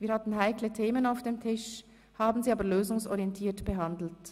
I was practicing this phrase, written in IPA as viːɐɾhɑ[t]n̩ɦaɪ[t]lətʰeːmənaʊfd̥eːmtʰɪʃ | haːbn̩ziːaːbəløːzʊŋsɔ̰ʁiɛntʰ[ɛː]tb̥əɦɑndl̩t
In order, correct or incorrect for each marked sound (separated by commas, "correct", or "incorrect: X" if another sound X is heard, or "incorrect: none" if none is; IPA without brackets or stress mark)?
correct, incorrect: k, incorrect: iː